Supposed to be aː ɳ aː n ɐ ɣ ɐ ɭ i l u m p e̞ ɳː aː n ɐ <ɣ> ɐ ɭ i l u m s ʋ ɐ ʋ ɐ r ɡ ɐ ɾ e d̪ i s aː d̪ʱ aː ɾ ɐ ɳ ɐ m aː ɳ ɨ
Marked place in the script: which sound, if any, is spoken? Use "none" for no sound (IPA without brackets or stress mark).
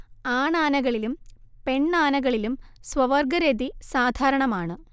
ɣ